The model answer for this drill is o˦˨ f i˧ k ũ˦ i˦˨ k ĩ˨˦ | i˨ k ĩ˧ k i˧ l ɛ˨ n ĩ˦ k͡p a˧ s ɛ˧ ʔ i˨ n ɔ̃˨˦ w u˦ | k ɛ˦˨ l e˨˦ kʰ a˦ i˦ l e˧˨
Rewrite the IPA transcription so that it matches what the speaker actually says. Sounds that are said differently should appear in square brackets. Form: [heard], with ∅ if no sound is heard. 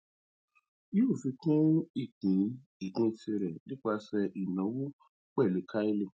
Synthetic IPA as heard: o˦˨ f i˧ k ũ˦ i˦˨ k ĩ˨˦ | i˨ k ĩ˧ [t] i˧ [ɾ] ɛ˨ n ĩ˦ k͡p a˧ s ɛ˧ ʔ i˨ n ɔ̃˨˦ w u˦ | [k͡p] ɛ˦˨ l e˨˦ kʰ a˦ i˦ l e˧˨

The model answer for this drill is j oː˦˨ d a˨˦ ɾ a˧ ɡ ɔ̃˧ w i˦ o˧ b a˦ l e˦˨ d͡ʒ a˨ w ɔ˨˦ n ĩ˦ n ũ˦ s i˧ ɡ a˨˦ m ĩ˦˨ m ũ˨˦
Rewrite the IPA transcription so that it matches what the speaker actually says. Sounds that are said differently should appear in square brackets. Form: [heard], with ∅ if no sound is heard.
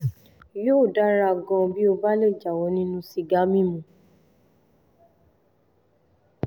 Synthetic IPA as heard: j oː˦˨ d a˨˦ ɾ a˧ ɡ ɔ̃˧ [b] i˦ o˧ b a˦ l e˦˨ d͡ʒ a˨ w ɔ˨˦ n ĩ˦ n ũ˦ s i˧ ɡ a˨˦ m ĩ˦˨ m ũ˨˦

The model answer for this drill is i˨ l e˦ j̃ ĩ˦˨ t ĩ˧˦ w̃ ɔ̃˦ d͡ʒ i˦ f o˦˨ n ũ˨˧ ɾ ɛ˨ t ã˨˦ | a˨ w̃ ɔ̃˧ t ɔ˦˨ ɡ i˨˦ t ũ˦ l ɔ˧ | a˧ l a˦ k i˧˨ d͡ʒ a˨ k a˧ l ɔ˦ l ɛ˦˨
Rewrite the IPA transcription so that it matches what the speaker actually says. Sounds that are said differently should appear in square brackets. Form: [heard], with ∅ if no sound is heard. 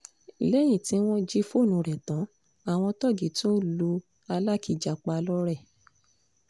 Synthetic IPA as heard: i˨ l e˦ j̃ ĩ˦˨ t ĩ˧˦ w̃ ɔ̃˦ d͡ʒ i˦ f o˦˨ n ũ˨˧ ɾ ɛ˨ t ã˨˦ | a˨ w̃ ɔ̃˧ t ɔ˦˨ ɡ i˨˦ t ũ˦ l [u˧] | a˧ l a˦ k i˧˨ d͡ʒ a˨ [k͡p] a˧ l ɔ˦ [ɾ] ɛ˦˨

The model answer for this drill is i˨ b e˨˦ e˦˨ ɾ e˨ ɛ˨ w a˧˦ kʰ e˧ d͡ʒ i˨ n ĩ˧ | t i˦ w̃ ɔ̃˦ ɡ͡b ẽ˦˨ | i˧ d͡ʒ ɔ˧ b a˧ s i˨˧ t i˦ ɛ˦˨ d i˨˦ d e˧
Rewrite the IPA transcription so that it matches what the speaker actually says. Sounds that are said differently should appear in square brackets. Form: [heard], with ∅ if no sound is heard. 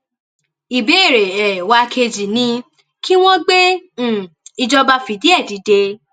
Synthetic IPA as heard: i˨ b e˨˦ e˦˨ ɾ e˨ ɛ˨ w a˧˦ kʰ e˧ d͡ʒ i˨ n ĩ˧ | [k] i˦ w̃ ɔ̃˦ ɡ͡b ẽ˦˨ | i˧ d͡ʒ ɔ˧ b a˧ [f] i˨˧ [d] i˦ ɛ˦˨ d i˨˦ d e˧

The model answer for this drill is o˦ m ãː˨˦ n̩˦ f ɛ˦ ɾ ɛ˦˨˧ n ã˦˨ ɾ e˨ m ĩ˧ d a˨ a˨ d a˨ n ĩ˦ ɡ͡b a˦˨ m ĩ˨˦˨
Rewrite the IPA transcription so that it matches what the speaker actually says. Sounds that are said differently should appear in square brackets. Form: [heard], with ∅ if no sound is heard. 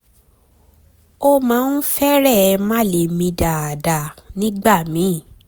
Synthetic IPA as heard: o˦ m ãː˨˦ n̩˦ f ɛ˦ ɾ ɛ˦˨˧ [m] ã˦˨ [l] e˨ m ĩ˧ d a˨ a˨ d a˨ n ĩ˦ ɡ͡b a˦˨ m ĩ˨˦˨

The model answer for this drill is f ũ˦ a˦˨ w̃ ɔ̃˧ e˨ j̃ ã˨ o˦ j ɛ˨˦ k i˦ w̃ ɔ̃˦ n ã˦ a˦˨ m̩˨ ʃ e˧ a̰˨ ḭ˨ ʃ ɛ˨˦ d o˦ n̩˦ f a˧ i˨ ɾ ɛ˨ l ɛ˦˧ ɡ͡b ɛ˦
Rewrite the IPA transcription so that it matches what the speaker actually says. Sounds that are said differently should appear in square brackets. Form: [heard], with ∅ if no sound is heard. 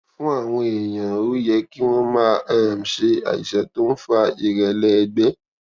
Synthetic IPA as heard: f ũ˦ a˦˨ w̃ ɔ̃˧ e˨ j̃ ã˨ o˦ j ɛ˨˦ k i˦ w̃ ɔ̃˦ [m] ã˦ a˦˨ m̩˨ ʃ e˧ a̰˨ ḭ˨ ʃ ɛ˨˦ [t] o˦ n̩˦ f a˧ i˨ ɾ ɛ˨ l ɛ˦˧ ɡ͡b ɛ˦

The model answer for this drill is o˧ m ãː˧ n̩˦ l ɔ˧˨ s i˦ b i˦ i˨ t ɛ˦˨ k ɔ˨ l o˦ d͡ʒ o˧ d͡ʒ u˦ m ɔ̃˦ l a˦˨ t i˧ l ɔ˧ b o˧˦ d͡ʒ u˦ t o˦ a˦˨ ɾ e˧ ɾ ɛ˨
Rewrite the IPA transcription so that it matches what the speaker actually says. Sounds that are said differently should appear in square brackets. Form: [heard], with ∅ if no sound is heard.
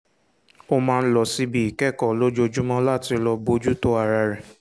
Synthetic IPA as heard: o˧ m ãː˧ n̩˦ l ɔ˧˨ s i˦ b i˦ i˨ [k] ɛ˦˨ k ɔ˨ l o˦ d͡ʒ o˧ d͡ʒ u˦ m ɔ̃˦ l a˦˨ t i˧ l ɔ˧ b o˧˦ d͡ʒ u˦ t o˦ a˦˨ ɾ [a˧] ɾ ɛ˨

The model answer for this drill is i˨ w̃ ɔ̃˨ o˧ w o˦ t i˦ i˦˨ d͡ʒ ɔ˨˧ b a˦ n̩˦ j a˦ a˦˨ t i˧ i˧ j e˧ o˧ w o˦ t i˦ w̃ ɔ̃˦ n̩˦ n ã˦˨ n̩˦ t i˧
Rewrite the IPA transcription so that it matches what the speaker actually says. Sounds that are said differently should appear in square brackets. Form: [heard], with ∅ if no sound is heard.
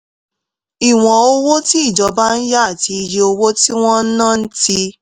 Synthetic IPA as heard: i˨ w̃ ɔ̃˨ o˧ w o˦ t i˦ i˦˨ d͡ʒ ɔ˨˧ b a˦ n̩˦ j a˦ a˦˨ t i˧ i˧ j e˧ o˧ w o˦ t i˦ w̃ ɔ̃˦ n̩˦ n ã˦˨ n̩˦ t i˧

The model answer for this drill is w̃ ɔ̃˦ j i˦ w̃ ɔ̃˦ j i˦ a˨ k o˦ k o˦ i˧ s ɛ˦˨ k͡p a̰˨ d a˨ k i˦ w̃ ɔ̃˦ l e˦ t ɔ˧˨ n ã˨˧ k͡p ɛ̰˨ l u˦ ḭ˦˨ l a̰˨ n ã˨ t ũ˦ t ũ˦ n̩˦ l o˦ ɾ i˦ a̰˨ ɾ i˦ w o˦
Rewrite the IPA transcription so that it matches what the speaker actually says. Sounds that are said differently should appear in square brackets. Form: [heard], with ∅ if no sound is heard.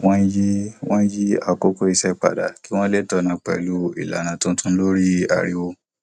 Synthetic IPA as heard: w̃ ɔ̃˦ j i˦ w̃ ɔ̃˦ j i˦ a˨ k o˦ k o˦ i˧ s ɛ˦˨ k͡p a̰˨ d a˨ k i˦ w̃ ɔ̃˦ l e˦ t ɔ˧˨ n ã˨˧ k͡p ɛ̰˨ l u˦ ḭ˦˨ l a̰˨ n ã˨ t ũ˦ t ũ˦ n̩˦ l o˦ ɾ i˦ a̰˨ ɾ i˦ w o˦

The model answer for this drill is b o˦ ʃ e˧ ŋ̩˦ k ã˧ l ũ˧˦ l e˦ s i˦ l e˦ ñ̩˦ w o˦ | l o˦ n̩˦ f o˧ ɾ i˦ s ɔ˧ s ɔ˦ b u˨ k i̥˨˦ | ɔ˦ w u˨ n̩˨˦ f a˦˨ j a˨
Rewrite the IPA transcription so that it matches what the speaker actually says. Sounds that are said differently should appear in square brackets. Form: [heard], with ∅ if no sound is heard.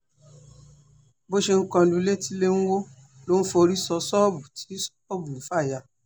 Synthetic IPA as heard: b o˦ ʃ e˧ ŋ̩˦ k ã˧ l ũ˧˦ l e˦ [t] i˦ l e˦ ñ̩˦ w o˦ | l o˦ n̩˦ f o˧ ɾ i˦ s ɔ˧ s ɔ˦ b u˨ [t] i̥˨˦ | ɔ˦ [b] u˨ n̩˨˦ f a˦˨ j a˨

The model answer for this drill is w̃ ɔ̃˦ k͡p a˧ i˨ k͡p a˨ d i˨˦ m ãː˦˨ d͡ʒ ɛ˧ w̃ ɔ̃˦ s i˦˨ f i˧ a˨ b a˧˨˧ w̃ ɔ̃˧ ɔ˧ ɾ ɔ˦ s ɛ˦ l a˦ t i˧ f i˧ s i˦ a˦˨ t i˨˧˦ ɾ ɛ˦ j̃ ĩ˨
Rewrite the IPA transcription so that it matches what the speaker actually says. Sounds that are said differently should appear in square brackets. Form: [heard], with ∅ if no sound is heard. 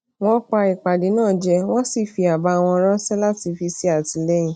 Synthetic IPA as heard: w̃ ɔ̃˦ k͡p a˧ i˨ k͡p a˨ d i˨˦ [n] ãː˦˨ d͡ʒ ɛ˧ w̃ ɔ̃˦ s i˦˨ f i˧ a˨ b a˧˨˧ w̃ ɔ̃˧ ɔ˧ ɾ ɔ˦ s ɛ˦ l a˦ t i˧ f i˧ s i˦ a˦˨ t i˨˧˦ [l] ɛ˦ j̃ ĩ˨

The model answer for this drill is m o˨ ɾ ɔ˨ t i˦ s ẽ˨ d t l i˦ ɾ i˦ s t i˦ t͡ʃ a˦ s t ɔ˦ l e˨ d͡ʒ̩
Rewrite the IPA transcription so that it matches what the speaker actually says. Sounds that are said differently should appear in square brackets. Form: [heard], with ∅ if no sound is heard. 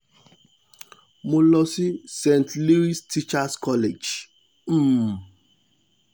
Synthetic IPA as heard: m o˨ [l] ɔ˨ [s] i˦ s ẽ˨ [n] t l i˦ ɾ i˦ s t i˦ t͡ʃ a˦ s [k] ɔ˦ l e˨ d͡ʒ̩

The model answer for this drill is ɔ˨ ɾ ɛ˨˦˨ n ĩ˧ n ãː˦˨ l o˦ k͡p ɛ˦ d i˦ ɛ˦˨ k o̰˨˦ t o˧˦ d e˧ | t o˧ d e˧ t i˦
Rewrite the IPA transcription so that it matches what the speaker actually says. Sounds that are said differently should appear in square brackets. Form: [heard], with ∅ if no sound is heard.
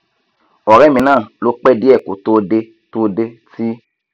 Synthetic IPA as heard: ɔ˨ ɾ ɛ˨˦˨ [m] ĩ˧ n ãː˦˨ l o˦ k͡p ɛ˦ d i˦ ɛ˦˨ k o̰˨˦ t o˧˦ d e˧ | t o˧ d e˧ t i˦

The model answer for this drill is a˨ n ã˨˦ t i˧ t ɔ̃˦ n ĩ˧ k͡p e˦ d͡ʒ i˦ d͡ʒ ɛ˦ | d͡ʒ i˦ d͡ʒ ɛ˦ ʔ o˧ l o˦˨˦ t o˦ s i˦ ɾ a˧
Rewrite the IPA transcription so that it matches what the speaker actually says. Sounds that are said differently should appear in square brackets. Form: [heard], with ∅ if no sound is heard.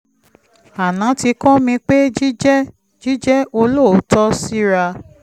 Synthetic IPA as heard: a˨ n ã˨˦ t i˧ [k] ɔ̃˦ [m] ĩ˧ k͡p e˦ d͡ʒ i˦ d͡ʒ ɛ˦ | d͡ʒ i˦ d͡ʒ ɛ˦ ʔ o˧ l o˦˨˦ t [ɔ˦] s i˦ ɾ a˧

